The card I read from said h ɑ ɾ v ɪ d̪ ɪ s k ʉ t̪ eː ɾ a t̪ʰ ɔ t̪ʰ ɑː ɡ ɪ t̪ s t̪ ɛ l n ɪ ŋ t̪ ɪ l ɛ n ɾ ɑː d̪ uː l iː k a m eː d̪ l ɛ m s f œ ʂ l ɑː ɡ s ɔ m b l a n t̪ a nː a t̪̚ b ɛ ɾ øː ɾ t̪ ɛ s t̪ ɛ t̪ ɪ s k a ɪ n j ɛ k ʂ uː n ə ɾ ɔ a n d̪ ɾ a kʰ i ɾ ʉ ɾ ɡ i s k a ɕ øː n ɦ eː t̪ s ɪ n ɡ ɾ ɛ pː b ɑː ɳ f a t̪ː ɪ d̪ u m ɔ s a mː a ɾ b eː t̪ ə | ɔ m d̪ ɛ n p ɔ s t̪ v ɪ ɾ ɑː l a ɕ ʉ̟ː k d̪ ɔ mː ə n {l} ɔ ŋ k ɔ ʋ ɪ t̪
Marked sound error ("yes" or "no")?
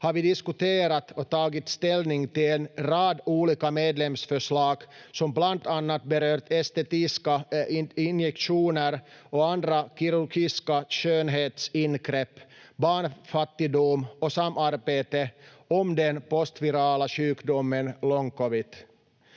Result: no